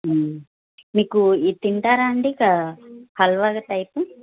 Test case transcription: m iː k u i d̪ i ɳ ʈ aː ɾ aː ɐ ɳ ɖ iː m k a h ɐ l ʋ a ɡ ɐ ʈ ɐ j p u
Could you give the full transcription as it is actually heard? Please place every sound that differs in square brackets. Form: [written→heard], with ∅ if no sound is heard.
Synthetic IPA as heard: m iː k u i [d̪→t̪] i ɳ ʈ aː ɾ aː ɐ ɳ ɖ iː [m→∅] k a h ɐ l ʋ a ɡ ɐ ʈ ɐ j p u